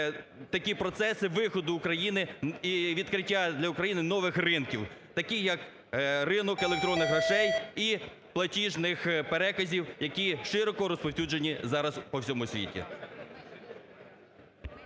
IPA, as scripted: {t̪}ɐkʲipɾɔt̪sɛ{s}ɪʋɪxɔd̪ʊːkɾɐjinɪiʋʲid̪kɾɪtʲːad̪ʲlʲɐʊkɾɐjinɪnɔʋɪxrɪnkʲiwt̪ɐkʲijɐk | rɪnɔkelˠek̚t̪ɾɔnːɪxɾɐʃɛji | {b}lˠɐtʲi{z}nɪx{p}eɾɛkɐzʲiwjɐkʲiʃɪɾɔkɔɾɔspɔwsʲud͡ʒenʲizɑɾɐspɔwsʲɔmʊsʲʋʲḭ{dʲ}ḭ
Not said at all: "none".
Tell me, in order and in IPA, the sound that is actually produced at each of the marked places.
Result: t̪, s, p, ʒ, p, tʲ

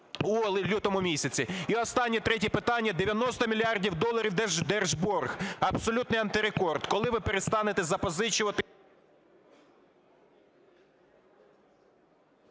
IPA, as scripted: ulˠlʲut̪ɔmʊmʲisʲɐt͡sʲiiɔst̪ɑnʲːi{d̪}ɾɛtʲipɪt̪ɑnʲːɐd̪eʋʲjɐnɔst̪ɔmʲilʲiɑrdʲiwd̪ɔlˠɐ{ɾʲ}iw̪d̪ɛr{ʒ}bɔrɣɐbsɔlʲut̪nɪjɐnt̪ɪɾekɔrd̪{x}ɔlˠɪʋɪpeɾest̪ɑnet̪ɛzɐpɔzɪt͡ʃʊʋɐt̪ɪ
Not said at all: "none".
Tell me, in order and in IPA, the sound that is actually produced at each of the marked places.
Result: t̪, ɾʲ, ʒ, k

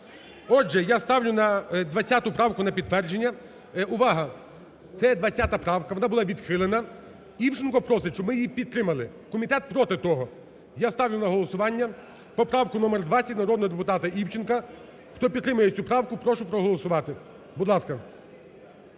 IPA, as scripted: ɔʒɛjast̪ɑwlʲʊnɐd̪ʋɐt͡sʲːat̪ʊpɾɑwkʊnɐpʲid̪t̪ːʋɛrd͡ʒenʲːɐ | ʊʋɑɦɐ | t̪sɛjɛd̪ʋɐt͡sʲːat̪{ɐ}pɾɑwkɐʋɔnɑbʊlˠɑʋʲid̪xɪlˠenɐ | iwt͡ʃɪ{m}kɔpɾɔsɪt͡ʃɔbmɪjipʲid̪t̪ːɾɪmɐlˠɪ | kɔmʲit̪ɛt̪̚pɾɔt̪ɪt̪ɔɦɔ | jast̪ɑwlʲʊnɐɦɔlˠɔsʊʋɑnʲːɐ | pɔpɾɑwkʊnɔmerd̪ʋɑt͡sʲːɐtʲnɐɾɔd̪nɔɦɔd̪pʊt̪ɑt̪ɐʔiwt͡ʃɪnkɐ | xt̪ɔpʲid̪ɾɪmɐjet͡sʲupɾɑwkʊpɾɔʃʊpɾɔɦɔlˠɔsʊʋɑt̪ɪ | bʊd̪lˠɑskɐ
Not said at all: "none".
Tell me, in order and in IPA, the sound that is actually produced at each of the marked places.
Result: ɐ, n

